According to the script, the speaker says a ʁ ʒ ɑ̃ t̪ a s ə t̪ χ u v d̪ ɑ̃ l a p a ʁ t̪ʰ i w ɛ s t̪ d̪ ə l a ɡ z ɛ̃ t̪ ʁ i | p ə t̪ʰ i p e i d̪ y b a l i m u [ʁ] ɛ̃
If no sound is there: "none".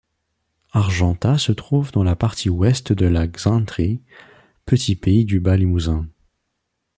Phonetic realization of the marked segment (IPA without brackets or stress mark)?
z